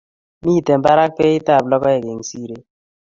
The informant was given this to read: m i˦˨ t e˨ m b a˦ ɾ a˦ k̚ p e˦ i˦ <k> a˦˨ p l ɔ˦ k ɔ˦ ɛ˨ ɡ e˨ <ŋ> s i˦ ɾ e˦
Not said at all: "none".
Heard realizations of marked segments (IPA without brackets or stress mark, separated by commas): t, ŋ